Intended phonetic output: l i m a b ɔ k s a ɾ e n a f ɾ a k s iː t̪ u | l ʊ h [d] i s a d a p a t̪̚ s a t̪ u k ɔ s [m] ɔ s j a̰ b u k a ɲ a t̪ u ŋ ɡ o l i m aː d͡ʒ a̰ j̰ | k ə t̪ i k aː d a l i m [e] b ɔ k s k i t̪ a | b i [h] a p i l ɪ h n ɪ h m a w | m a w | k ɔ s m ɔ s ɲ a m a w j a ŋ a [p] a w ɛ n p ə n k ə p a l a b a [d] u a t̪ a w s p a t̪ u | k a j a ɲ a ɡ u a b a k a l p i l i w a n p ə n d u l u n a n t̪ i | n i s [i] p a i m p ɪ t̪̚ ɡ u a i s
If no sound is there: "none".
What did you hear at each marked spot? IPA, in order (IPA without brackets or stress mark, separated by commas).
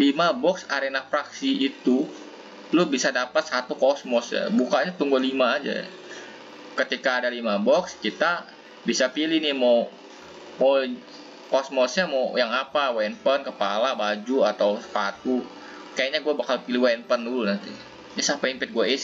b, m, a, s, p, d͡ʒ, a